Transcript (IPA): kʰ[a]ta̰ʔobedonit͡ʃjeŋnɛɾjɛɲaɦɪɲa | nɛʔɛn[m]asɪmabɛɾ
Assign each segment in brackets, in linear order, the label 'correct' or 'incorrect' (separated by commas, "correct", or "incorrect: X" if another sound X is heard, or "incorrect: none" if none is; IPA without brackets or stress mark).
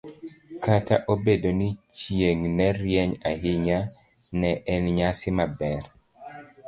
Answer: correct, incorrect: ɲ